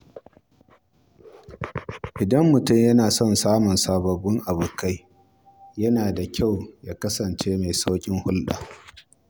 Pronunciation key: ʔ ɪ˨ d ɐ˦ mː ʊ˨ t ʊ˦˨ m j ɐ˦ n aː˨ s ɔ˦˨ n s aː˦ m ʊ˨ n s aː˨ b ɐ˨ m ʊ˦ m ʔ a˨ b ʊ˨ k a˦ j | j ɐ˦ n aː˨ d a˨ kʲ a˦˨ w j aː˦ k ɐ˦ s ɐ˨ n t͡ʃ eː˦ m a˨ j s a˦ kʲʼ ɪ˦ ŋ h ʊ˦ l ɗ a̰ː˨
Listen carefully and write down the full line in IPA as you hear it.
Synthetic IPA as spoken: ʔ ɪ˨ d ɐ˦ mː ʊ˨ t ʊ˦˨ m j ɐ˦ n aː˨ s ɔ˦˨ n s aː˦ m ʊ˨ n s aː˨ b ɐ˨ b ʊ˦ ŋ ʔ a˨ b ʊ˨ k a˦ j | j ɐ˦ n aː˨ d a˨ kʲ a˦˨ w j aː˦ k ɐ˦ s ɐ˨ n t͡ʃ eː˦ m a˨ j s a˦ kʲʼ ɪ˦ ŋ h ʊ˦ l ɗ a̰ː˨